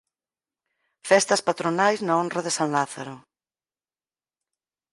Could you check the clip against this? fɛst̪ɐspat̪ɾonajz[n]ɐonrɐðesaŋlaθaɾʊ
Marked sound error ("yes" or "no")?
no